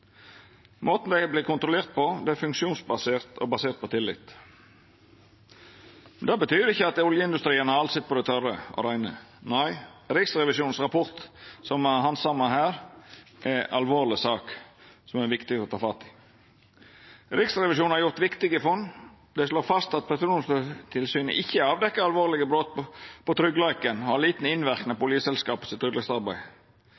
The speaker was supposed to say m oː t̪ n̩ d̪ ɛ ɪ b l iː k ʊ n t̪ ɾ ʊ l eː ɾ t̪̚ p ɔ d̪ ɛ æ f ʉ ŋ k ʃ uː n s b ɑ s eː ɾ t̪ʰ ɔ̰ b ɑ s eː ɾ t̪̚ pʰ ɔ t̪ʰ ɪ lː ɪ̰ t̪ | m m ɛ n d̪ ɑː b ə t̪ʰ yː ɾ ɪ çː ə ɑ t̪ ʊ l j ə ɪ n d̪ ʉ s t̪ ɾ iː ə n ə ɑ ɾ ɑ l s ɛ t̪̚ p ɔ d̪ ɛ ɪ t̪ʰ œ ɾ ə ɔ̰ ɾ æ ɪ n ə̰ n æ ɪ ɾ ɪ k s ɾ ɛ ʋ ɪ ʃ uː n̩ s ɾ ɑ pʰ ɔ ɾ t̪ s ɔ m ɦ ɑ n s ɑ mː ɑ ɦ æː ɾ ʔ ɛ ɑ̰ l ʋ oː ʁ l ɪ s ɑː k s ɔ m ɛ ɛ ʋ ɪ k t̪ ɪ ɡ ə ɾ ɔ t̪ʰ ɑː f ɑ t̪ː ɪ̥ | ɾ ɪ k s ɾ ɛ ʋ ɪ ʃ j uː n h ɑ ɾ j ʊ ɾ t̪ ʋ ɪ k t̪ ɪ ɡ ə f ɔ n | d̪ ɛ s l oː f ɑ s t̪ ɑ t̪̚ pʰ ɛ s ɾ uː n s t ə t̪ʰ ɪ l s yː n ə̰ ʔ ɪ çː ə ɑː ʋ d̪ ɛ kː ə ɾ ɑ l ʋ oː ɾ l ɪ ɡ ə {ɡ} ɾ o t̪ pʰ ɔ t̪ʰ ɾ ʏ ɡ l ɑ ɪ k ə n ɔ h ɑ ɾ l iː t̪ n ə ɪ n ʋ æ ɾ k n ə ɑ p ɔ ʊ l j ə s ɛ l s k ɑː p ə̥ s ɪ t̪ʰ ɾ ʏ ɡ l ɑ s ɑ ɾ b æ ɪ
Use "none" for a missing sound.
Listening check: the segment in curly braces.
b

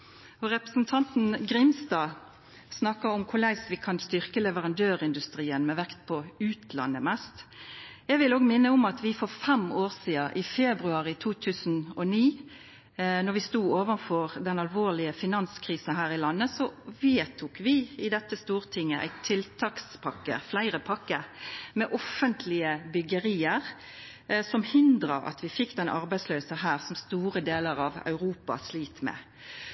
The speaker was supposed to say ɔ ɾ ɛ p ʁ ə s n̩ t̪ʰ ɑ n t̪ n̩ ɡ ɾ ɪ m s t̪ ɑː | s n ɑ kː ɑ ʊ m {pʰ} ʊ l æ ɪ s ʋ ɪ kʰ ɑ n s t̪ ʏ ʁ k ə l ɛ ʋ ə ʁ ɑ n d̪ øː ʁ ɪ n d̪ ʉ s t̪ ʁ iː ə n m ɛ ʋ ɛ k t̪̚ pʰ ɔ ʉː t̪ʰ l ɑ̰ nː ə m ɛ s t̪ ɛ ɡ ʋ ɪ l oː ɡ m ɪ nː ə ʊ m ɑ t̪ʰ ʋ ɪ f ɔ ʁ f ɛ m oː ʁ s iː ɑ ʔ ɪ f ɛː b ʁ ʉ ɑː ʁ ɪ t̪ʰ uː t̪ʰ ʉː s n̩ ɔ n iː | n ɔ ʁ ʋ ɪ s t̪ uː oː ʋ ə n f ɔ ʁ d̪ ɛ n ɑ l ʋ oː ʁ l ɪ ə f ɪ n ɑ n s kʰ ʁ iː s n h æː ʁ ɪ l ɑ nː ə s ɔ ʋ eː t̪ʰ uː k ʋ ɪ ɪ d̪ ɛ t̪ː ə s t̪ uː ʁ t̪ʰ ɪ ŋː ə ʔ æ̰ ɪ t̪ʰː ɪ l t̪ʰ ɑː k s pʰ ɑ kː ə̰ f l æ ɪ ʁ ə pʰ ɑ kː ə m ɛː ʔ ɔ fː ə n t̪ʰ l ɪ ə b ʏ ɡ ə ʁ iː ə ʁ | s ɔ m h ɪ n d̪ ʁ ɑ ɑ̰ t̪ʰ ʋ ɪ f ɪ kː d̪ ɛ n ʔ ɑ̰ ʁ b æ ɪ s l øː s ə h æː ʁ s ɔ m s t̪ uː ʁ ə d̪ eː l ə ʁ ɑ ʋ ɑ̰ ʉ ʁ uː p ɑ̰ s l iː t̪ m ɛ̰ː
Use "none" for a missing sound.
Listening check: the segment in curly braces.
kʰ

